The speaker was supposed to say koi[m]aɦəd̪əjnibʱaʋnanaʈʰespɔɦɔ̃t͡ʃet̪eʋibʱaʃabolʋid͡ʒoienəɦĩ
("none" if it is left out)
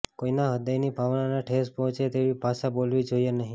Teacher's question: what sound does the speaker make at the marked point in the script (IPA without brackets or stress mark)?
n